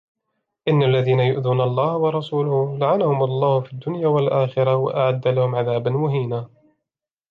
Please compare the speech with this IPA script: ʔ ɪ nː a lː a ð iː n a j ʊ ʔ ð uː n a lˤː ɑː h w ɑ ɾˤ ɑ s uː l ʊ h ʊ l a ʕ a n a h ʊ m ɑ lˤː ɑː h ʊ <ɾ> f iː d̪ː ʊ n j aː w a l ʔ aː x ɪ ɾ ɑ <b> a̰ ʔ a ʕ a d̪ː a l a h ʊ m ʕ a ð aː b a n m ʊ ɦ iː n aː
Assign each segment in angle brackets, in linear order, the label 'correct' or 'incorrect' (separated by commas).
incorrect, incorrect